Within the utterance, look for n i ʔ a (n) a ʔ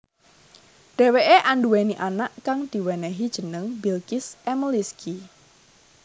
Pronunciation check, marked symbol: correct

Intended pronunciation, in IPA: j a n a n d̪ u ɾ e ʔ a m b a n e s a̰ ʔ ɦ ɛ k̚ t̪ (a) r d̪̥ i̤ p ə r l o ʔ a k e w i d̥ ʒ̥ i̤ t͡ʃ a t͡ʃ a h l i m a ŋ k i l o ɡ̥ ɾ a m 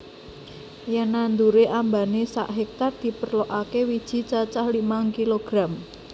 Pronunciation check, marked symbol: correct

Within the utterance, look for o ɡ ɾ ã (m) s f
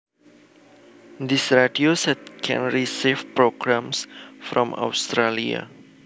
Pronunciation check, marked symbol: correct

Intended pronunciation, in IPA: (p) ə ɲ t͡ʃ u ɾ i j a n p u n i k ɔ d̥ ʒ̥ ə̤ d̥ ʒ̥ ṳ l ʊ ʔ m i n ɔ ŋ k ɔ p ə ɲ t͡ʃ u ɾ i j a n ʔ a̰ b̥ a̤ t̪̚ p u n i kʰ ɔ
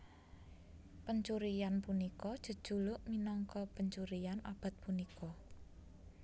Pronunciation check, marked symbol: correct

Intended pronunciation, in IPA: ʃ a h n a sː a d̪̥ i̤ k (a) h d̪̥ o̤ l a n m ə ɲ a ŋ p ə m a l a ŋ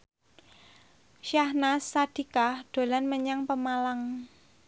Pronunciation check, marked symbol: correct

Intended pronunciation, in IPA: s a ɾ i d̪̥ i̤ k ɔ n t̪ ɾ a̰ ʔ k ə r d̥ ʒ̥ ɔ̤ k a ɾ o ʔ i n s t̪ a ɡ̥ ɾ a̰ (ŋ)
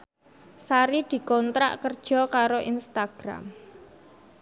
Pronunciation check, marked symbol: incorrect: m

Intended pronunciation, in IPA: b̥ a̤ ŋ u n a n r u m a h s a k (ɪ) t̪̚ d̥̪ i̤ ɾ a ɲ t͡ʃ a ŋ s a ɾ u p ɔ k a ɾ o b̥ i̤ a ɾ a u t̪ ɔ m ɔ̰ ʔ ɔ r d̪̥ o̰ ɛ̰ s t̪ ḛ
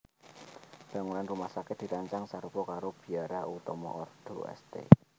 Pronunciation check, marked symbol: correct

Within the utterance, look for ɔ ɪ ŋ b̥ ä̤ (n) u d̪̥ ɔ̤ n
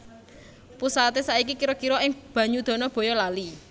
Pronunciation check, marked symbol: incorrect: ɲ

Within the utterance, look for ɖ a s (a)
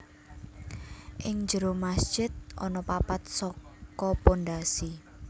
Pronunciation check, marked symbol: incorrect: i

